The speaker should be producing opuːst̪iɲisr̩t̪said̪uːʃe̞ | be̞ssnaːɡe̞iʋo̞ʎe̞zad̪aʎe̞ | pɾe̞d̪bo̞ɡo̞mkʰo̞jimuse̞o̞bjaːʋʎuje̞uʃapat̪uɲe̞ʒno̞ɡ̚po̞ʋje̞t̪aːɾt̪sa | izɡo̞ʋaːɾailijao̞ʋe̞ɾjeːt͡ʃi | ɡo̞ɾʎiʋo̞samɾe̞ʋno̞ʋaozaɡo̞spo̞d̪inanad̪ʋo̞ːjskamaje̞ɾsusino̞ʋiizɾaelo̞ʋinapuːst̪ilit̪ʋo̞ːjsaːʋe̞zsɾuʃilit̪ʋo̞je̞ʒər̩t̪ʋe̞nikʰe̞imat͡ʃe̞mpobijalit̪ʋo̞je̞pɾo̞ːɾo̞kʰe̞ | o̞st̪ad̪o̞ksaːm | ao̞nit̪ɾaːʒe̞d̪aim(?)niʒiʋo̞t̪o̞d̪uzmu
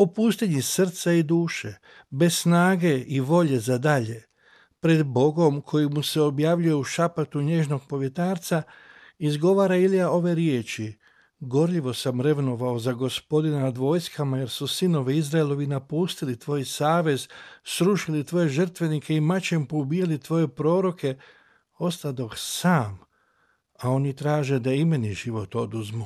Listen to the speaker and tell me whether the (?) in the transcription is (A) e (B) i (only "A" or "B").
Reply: A